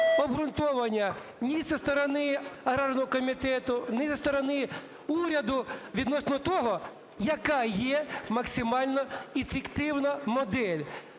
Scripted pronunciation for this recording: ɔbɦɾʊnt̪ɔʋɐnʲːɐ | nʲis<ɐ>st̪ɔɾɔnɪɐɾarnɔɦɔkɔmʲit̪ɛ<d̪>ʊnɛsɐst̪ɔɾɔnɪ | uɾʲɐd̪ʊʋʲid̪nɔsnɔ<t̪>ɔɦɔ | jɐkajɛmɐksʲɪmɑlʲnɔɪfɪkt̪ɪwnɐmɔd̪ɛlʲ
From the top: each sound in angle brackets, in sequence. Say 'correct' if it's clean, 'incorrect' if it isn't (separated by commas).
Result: correct, incorrect, correct